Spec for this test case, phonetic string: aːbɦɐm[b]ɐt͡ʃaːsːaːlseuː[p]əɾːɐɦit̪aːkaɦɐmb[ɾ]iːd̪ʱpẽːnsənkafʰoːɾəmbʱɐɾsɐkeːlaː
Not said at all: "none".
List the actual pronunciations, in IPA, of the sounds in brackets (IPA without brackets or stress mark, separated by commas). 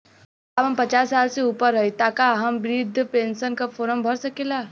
p, p, ɾ